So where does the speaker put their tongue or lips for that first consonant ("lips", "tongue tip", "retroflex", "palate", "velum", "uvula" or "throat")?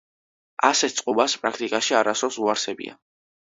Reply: tongue tip